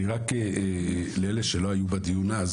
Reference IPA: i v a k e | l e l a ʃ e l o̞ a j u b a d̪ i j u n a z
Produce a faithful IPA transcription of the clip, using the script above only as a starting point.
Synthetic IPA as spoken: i ʁ a k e | l e l e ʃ e l o̞ a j u b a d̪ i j u n a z